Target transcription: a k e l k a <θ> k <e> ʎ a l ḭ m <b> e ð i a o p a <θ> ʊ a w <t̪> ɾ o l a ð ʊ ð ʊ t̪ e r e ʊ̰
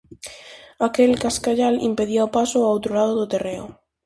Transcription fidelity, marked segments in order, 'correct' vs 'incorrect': incorrect: s, incorrect: a, incorrect: p, incorrect: s, correct

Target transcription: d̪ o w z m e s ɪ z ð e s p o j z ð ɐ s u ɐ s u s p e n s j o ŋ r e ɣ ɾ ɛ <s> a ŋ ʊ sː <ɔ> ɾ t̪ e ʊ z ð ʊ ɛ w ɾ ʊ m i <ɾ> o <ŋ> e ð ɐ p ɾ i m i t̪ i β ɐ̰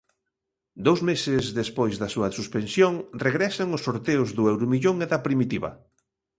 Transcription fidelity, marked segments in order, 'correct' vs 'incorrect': correct, incorrect: o, incorrect: ʎ, correct

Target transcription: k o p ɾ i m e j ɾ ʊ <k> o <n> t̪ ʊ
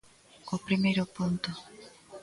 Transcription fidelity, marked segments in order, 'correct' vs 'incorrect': incorrect: p, correct

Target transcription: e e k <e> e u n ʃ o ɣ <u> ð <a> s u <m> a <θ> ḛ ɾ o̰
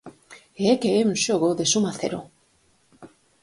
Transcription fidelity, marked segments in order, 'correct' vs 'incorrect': correct, incorrect: o, incorrect: e, correct, correct

